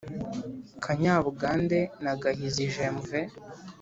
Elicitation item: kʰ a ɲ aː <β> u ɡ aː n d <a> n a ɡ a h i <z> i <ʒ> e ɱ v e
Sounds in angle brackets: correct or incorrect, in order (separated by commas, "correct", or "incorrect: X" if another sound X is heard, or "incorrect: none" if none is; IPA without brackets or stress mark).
correct, incorrect: e, correct, correct